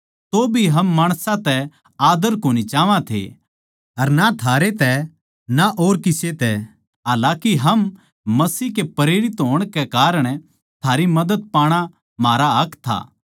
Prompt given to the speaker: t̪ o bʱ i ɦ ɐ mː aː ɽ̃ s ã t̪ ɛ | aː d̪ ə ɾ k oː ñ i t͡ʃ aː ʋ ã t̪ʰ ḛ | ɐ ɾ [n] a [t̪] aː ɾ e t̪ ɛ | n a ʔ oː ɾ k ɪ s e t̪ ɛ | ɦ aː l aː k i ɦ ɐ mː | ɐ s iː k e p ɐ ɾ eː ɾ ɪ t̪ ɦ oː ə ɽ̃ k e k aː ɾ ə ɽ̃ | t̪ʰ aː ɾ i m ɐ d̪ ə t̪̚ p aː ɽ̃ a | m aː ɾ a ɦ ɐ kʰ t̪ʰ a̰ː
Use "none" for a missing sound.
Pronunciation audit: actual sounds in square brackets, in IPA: n, t̪ʰ

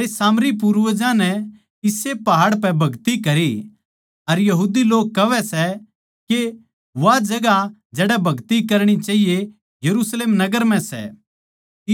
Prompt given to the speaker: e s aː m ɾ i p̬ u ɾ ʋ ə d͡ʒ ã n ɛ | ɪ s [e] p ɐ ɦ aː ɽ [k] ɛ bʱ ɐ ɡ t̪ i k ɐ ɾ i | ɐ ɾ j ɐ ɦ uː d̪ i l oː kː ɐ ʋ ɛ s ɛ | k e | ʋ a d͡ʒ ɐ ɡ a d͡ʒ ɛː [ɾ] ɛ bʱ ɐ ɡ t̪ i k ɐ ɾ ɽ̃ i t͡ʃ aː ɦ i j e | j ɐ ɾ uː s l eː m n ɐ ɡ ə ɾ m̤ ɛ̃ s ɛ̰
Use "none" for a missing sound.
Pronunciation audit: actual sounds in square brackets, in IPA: e, p, ɽ

